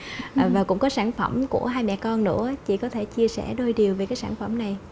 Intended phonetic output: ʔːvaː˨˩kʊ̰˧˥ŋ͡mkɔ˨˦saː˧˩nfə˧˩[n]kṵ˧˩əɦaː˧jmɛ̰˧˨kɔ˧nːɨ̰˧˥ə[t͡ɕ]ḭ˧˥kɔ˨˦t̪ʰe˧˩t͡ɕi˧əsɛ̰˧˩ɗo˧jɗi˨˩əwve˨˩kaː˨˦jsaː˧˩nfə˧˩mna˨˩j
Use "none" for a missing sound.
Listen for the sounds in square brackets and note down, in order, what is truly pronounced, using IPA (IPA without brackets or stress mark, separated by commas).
m, t͡ɕ